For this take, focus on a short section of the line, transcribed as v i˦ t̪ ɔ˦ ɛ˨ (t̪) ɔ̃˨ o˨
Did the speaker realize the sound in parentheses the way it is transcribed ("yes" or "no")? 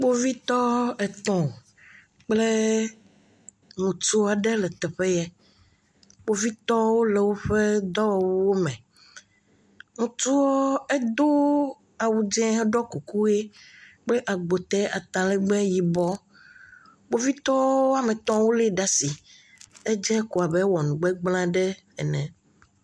yes